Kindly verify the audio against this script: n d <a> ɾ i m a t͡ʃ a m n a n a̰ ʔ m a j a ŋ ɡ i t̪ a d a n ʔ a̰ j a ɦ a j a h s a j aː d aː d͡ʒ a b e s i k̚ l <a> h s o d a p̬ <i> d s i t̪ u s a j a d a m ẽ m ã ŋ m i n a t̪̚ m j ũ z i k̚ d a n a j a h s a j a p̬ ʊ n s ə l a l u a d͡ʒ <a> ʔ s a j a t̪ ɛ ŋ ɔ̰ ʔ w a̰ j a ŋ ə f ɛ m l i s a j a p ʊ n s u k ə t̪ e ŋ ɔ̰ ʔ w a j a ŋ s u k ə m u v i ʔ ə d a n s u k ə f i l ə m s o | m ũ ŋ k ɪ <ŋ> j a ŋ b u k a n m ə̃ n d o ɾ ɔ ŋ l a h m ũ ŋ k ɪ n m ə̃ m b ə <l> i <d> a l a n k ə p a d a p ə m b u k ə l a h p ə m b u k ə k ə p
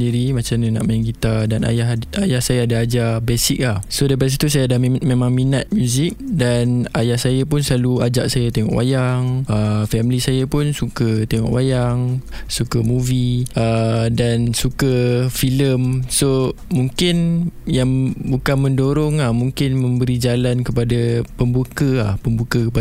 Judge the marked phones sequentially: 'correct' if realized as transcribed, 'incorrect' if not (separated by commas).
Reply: incorrect, correct, incorrect, correct, incorrect, incorrect, incorrect